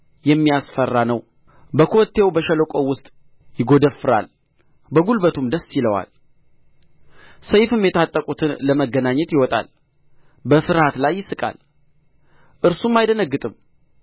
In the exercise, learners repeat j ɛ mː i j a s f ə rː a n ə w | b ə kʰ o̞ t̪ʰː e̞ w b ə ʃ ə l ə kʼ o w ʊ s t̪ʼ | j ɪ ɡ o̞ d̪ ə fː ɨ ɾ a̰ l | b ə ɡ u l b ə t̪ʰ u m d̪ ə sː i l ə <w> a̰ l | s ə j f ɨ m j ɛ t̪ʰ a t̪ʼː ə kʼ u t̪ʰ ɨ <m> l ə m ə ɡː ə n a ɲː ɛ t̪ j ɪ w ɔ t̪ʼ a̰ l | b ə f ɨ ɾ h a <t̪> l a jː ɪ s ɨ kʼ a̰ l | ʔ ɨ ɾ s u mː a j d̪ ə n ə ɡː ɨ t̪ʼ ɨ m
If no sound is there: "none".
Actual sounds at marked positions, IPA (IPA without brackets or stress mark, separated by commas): w, n, t̪